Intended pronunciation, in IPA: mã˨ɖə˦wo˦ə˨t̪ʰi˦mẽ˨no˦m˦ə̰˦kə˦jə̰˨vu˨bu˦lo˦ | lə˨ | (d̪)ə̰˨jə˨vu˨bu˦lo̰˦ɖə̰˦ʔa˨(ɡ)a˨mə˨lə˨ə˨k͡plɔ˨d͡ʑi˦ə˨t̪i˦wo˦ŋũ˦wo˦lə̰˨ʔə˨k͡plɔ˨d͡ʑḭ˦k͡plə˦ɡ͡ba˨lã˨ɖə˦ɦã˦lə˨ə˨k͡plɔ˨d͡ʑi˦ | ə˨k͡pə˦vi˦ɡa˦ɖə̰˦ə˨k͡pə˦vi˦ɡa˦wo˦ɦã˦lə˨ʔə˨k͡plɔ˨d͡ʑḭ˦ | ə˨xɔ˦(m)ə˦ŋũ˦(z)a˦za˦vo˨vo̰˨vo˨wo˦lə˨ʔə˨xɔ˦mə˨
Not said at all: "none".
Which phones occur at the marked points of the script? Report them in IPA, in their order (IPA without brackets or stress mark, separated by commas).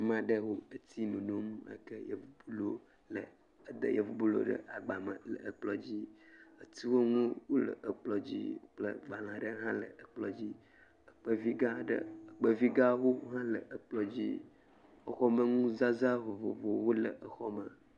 d̪, ɡ͡b, m, z